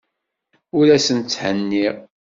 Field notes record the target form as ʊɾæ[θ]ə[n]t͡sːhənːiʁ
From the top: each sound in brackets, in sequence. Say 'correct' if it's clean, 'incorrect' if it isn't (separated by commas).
incorrect, correct